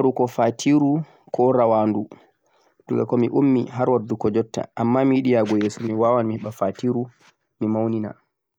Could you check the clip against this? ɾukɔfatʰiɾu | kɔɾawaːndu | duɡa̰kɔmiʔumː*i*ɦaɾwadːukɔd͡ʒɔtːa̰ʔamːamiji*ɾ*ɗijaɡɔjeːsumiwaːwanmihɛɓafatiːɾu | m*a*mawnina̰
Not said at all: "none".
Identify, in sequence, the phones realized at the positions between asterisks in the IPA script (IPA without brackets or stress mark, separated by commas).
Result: i, none, i